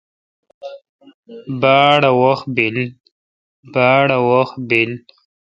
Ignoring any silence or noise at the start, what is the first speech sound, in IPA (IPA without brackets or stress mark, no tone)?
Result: b